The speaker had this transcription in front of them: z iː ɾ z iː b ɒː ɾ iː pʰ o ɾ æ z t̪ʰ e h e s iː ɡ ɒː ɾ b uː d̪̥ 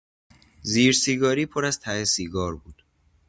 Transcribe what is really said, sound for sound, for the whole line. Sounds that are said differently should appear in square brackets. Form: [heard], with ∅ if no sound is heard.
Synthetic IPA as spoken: z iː ɾ [s] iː [ɡ] ɒː ɾ iː pʰ o ɾ æ z t̪ʰ [æ] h e s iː ɡ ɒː ɾ b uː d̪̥